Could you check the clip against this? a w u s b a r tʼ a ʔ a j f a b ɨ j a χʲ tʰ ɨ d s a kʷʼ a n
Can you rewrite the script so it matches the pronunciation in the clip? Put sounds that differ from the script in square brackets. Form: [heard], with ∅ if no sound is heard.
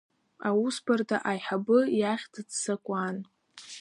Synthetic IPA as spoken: a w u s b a r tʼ a ʔ a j [ħ] a b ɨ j a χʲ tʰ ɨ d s a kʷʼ a n